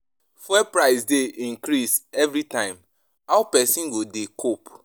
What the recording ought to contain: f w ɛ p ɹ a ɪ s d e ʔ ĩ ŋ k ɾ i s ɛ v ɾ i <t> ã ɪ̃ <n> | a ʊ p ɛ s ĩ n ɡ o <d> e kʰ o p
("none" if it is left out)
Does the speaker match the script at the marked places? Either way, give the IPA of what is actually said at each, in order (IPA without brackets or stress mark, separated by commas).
t, m, d